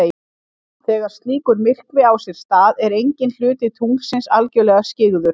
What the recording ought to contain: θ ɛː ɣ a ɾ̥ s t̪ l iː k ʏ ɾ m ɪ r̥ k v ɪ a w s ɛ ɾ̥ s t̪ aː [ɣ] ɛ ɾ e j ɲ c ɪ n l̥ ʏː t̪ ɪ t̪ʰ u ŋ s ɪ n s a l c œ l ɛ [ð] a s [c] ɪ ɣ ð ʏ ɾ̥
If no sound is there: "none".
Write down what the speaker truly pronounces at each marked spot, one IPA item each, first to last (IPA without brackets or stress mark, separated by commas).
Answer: ð, ɣ, c